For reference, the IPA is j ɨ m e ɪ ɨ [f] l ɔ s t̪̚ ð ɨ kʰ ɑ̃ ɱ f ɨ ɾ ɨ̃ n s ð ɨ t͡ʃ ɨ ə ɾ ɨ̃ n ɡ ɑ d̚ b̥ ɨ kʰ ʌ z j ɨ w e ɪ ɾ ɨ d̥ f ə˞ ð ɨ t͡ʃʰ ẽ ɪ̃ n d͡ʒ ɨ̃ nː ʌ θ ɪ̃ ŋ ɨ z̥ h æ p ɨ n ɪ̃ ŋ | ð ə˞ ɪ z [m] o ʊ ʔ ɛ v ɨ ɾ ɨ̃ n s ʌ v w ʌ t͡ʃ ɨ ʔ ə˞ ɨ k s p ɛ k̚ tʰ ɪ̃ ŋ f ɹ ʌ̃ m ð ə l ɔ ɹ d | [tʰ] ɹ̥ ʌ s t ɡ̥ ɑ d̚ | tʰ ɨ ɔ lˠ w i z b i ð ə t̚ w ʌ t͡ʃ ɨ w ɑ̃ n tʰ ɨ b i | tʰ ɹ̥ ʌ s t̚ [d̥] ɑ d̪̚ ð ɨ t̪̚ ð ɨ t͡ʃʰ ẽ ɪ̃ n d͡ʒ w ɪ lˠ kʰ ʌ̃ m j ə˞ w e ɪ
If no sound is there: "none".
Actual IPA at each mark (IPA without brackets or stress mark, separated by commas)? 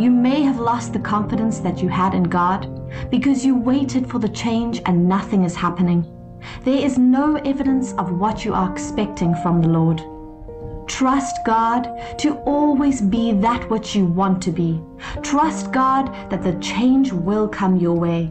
v, n, tʰ, ɡ̥